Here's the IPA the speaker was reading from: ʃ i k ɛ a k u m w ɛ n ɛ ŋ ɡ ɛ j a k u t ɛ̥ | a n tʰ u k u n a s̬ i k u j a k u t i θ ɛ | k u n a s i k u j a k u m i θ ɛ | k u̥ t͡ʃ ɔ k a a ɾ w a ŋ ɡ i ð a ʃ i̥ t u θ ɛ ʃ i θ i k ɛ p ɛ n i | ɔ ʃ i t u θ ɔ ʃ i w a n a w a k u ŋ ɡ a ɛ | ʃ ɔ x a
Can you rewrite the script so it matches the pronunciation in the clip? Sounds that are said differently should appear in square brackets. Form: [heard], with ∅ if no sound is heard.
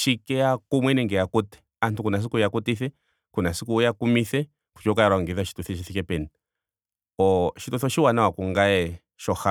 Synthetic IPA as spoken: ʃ i k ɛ a k u m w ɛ n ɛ ŋ ɡ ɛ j a k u t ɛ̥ | a n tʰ u k u n a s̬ i k u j a k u t i θ ɛ | k u n a s i k u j a k u m i θ ɛ | k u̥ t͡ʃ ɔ k a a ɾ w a ŋ ɡ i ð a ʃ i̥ t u θ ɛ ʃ i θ i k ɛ p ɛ n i | ɔ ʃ i t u θ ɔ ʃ i w a n a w a k u ŋ ɡ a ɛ | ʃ ɔ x a